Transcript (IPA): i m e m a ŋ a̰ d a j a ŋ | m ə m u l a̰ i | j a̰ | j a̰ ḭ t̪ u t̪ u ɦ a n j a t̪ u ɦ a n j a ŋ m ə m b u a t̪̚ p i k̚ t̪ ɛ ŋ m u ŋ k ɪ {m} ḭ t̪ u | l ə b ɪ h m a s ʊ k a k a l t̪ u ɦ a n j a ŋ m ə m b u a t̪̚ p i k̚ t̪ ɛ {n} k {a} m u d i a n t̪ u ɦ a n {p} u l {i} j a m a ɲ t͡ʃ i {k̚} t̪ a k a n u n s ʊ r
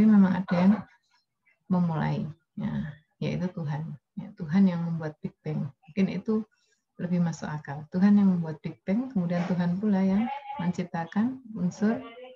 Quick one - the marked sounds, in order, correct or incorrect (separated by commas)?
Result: incorrect, incorrect, incorrect, correct, incorrect, incorrect